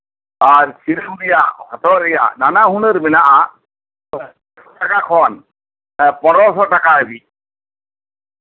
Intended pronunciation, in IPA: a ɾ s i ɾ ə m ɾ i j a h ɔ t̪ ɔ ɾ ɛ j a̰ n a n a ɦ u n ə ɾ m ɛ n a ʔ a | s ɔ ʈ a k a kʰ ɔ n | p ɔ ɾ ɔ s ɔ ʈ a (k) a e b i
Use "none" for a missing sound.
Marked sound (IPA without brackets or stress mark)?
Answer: k